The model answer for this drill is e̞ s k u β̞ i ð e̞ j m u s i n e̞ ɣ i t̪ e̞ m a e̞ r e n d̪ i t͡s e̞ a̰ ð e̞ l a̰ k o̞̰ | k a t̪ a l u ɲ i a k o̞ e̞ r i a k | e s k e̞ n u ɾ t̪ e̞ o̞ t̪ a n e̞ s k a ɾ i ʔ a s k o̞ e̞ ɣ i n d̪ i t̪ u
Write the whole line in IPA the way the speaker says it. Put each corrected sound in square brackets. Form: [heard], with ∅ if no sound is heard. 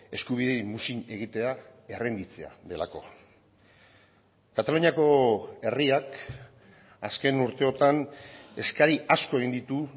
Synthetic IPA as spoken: e̞ s k u β̞ i ð e̞ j m u s i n e̞ ɣ i t̪ e̞ [∅] a e̞ r e n d̪ i t͡s e̞ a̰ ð e̞ l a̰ k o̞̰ | k a t̪ a l u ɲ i a k o̞ e̞ r i a k | [a] s k e̞ n u ɾ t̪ e̞ o̞ t̪ a n e̞ s k a ɾ i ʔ a s k o̞ e̞ ɣ i n d̪ i t̪ u